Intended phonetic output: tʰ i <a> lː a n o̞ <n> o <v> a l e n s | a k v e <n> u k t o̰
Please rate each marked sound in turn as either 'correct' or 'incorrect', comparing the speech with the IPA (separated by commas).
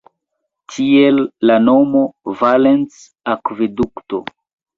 incorrect, incorrect, correct, incorrect